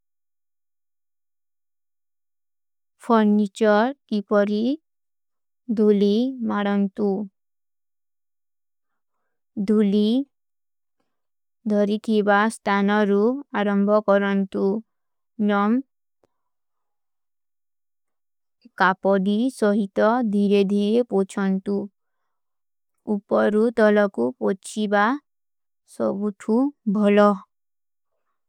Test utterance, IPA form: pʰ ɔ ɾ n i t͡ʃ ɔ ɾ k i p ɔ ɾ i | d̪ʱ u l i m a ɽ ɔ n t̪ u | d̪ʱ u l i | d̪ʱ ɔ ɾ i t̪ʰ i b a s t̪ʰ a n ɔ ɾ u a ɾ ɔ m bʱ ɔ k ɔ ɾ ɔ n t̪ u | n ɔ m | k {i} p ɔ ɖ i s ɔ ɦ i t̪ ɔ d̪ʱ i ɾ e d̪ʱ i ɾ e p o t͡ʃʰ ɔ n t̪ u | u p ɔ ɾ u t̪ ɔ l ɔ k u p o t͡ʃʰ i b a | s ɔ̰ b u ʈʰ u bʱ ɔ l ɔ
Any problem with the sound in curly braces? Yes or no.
yes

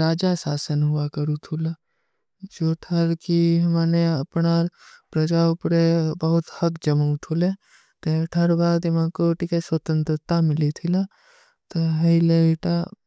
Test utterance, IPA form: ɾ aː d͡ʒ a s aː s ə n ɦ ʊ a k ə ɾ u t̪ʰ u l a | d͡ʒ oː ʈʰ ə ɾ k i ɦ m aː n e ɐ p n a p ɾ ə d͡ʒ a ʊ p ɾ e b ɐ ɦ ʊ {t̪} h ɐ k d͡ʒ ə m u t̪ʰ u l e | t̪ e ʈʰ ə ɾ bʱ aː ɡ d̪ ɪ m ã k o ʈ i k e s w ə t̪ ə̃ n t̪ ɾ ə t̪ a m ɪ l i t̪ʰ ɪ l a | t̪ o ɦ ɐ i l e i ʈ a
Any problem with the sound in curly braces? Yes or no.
no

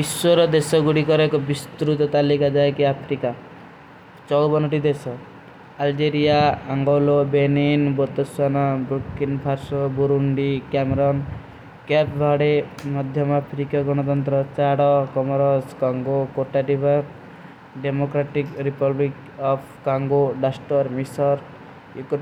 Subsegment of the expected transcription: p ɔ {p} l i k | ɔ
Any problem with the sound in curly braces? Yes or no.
yes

